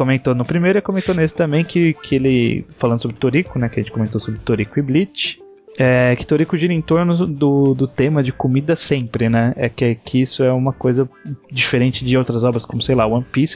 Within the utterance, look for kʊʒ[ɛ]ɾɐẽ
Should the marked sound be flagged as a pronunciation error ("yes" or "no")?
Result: yes